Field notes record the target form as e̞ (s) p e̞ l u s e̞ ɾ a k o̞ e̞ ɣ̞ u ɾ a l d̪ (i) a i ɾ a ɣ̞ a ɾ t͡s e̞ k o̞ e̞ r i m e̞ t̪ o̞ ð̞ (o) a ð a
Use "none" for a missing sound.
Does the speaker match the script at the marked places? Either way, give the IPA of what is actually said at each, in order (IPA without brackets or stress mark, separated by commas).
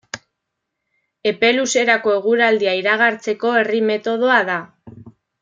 none, i, o